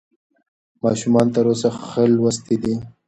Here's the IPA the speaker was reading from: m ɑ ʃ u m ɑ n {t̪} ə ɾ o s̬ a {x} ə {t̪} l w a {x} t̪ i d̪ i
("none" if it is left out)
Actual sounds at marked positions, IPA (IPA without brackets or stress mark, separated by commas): t̪, x, none, s